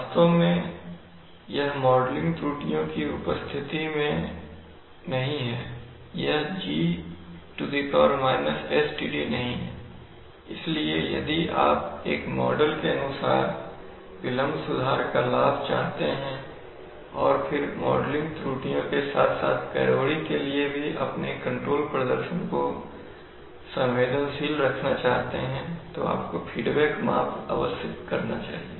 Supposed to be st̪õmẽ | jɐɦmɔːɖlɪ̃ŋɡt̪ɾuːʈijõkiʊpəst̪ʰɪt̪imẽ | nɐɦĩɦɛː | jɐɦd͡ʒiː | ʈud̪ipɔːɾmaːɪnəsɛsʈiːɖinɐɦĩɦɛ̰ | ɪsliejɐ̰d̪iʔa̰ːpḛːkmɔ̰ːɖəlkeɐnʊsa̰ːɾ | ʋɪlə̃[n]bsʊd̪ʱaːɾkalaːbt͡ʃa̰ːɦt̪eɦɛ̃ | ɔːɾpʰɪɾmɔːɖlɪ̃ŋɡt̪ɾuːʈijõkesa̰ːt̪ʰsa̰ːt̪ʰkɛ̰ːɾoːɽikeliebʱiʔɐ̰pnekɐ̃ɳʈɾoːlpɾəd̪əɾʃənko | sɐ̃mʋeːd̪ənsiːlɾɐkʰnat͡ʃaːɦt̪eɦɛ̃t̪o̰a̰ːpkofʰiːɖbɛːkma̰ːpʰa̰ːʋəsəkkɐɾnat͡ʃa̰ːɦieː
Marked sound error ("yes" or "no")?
yes